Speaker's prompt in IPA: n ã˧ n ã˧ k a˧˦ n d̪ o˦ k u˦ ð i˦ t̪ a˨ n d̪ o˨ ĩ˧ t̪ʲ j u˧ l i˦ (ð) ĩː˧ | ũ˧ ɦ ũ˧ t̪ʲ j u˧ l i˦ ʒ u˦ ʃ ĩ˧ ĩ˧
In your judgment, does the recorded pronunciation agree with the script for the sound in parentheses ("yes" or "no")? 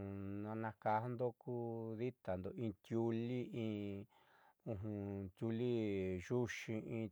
no